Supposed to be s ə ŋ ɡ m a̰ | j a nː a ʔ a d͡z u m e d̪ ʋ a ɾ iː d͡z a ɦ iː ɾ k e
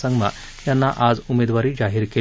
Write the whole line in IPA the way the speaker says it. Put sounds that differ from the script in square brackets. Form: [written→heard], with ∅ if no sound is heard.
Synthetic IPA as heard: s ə ŋ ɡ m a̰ | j a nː a ʔ a d͡z u m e d̪ ʋ a ɾ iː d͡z a ɦ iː ɾ k e